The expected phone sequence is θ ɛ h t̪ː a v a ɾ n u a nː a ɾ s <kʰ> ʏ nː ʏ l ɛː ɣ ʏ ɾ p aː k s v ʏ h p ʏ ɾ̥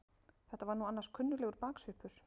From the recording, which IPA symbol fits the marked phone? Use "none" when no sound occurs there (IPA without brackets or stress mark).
kʰ